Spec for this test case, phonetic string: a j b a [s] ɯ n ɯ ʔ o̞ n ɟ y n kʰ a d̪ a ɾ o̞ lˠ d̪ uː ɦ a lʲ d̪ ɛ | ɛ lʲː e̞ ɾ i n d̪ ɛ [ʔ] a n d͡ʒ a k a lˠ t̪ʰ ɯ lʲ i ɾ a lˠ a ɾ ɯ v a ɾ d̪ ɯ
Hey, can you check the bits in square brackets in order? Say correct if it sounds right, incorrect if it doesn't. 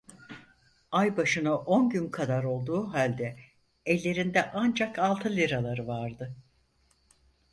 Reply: incorrect, correct

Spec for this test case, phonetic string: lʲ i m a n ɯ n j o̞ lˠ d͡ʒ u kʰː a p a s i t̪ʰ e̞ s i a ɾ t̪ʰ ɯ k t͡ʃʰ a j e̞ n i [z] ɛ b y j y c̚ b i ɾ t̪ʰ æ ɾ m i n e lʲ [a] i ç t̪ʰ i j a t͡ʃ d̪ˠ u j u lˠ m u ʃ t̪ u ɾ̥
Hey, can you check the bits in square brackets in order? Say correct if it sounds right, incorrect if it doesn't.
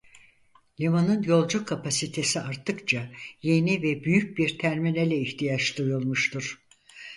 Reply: incorrect, incorrect

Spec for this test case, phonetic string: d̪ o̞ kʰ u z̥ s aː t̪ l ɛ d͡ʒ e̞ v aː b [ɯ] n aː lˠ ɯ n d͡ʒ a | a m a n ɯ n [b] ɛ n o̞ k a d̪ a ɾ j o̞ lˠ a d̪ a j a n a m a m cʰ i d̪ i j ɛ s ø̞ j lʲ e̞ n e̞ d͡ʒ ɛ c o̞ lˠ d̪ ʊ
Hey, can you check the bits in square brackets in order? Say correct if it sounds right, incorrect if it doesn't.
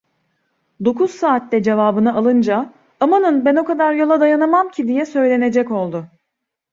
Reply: correct, correct

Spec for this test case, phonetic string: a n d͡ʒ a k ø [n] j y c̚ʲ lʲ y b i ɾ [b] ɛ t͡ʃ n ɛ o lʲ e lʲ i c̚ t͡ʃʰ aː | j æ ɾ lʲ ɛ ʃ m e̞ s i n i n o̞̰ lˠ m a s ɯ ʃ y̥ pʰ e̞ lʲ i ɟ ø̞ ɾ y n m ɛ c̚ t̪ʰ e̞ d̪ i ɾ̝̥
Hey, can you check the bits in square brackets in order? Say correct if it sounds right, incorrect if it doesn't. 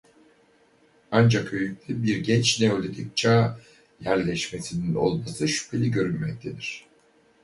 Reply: incorrect, incorrect

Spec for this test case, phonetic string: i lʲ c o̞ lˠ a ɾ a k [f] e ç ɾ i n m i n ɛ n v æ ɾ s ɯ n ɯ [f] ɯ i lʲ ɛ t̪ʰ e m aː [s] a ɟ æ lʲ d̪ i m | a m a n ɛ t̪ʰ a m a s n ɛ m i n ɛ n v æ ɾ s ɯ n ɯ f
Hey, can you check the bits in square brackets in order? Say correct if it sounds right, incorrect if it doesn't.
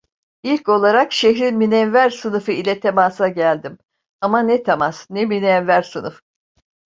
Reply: incorrect, correct, correct

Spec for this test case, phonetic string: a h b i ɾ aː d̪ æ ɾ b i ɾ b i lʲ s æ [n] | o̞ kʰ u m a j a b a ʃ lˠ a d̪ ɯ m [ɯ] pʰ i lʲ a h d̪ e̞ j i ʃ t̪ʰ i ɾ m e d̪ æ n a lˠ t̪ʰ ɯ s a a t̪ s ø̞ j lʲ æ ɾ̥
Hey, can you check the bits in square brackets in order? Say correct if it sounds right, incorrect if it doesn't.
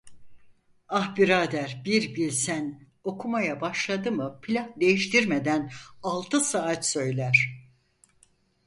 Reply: correct, correct

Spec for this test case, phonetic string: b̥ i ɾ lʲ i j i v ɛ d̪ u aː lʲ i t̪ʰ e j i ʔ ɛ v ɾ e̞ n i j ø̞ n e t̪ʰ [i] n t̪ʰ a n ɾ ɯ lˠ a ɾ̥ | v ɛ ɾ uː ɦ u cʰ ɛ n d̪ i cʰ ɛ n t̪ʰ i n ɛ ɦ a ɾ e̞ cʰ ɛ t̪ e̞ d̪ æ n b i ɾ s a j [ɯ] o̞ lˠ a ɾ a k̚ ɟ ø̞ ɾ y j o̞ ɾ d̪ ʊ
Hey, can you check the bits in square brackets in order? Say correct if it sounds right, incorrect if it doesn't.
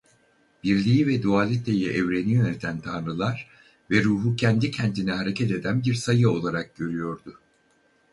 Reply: incorrect, correct

